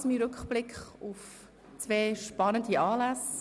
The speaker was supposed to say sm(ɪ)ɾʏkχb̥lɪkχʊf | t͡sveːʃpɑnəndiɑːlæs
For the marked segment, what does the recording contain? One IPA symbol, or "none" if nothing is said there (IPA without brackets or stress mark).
i